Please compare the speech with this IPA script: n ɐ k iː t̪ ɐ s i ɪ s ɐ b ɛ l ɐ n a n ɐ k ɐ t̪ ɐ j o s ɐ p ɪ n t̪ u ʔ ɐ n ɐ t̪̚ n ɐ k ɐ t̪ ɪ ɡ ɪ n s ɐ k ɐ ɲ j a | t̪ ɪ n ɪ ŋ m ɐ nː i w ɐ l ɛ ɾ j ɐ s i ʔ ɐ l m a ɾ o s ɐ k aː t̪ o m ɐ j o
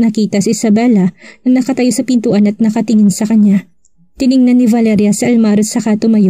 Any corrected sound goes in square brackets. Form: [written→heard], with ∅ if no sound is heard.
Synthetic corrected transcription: n ɐ k iː t̪ ɐ s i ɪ s ɐ b ɛ l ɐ n [a→ɐ] n ɐ k ɐ t̪ ɐ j o s ɐ p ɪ n t̪ u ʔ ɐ n ɐ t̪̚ n ɐ k ɐ t̪ ɪ [ɡ→ŋ] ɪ n s ɐ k ɐ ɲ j a | t̪ ɪ n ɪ ŋ [m→n] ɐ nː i [w→v] ɐ l ɛ ɾ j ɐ s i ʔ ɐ l m a ɾ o s ɐ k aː t̪ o m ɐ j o